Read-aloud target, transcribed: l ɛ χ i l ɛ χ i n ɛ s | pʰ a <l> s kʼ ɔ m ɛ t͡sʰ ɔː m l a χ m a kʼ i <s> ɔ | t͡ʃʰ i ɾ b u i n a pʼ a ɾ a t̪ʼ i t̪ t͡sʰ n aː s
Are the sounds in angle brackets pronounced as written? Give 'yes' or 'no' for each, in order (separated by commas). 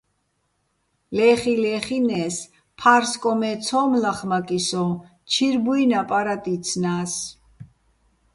no, yes